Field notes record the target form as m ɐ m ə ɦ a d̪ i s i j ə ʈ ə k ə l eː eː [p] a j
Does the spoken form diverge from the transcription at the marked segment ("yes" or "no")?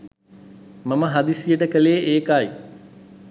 yes